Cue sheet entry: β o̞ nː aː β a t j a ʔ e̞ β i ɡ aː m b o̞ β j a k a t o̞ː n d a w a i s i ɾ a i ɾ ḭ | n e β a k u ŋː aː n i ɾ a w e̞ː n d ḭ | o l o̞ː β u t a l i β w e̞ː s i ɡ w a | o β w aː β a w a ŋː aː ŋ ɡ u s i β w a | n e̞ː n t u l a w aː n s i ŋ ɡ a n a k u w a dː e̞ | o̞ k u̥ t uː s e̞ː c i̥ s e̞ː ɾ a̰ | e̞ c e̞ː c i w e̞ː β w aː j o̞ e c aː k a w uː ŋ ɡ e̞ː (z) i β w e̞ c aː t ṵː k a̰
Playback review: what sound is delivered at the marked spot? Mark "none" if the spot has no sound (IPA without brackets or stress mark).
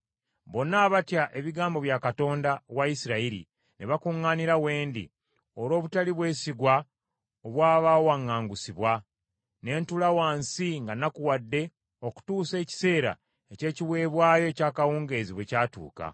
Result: z